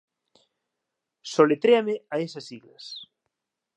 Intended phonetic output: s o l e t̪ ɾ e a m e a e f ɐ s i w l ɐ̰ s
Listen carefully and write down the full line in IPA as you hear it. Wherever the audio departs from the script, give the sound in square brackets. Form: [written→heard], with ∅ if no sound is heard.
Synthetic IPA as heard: s o l e t̪ ɾ e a m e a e [f→s] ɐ s i [w→ɣ] l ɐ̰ s